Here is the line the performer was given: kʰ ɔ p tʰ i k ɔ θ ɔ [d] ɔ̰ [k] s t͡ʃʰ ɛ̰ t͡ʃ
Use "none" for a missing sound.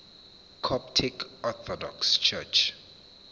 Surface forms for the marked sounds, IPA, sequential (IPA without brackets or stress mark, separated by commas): d, k